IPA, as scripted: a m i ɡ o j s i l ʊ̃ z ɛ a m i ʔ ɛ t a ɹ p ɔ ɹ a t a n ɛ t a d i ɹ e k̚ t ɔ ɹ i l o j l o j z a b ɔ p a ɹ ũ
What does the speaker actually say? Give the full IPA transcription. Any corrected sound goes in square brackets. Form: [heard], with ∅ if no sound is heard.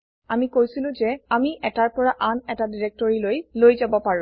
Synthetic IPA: a m i [k] o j s i l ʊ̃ z ɛ a m i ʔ ɛ t a ɹ p ɔ ɹ a [ʔ] a n ɛ t a d i ɹ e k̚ t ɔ ɹ i l o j l o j z a b ɔ p a ɹ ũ